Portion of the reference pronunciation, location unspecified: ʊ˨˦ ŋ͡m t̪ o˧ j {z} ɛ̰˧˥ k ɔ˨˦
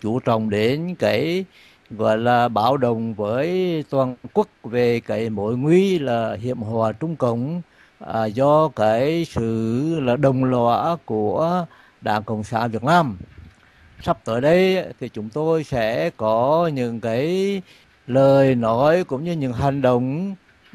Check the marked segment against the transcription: incorrect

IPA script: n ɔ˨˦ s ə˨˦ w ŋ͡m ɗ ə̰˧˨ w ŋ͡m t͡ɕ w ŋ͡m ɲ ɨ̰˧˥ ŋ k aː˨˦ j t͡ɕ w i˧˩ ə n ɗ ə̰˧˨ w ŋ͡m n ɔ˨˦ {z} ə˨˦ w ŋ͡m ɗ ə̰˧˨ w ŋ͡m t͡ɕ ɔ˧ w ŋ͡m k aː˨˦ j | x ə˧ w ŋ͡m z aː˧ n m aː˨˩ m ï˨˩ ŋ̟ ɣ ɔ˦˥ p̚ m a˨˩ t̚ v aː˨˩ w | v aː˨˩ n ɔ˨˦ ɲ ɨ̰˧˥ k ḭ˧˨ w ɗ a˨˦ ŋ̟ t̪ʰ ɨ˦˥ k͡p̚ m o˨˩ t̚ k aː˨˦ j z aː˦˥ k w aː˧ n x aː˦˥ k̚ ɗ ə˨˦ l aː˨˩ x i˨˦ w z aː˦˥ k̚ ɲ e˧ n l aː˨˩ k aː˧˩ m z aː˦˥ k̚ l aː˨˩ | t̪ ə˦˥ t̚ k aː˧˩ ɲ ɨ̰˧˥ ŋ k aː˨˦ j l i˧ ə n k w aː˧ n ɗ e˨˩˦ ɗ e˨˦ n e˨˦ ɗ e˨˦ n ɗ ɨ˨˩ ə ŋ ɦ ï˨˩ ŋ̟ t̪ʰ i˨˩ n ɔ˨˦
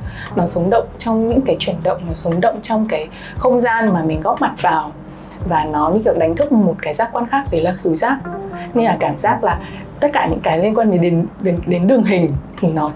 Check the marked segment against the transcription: incorrect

